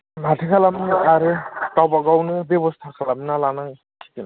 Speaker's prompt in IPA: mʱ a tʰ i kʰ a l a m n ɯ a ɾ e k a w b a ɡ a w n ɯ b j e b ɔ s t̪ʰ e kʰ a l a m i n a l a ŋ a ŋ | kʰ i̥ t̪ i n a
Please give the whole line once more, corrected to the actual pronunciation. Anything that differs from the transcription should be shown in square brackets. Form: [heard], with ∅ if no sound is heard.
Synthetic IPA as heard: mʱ a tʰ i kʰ a l a m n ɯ a ɾ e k a w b a ɡ a w n ɯ b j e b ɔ s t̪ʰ [a] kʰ a l a m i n a l a [n] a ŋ | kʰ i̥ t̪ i n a